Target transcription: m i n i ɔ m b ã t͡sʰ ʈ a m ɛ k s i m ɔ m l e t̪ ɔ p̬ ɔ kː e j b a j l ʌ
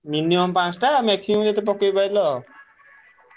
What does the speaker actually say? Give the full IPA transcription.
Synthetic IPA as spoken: m i n i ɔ m p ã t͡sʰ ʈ a m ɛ k s i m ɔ m l e t̪ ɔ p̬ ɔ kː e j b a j l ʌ